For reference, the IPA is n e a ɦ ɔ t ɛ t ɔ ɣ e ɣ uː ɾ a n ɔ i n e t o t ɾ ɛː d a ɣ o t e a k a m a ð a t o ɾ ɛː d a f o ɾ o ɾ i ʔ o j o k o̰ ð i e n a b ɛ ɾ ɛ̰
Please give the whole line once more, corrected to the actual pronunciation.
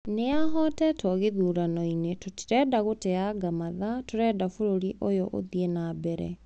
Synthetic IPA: n e a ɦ ɔ t ɛ t ɔ ɣ e ð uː ɾ a n ɔ i n e t o t ɾ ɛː d a ɣ o t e a ɡ a m a ð a t o ɾ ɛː d a f o ɾ o ɾ i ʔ o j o ʔ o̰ ð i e n a b ɛ ɾ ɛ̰